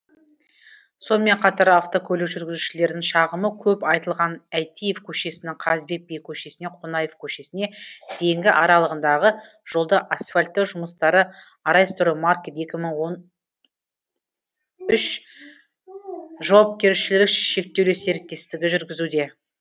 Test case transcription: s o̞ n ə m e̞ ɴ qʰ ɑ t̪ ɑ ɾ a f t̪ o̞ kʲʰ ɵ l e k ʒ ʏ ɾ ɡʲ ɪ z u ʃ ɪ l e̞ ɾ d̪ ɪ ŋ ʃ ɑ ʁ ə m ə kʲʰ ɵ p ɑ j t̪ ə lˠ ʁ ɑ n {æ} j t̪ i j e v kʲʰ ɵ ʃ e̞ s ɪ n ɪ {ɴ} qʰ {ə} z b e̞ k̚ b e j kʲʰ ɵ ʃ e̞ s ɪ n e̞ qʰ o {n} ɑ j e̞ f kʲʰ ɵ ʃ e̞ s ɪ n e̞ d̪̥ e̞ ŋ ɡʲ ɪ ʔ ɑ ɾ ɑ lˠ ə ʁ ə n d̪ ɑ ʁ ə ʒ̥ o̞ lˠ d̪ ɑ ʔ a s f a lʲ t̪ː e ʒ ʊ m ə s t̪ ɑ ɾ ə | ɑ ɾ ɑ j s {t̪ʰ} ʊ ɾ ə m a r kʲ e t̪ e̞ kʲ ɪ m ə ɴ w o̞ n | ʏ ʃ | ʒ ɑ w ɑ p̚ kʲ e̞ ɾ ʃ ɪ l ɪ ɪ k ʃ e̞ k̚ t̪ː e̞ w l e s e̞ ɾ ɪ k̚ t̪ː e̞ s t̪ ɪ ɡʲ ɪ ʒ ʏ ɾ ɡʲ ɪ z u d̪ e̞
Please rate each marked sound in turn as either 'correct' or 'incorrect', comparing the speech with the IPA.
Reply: correct, incorrect, incorrect, correct, incorrect

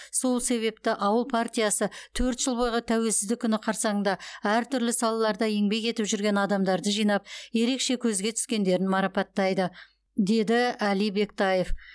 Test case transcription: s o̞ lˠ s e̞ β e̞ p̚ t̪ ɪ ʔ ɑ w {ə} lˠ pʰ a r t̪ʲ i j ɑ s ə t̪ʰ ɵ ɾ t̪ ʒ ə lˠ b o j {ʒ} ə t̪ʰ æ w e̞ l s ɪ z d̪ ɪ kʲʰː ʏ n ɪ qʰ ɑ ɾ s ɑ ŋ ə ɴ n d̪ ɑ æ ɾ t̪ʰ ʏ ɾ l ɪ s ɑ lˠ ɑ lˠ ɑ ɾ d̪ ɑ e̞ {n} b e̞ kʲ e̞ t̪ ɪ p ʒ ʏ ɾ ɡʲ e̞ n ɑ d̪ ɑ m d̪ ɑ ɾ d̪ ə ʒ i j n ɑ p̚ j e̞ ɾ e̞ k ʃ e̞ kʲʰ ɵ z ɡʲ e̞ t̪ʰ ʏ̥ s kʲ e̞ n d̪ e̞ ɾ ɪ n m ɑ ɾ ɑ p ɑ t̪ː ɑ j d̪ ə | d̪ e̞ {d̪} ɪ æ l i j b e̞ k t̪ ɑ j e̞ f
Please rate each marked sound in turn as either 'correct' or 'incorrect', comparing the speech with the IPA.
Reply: correct, incorrect, incorrect, correct

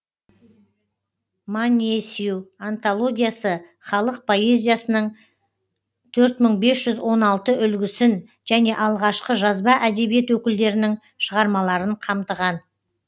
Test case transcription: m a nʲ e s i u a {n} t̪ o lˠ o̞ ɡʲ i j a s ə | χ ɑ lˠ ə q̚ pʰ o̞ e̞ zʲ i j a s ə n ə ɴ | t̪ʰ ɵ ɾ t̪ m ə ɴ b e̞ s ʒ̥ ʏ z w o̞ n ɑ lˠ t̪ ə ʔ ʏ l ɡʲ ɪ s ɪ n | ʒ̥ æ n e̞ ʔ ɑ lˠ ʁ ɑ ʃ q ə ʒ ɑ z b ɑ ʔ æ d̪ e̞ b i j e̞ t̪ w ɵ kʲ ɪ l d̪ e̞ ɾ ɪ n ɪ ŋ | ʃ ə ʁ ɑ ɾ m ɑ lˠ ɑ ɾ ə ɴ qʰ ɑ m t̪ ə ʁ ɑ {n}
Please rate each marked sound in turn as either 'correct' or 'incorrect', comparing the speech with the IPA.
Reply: correct, correct

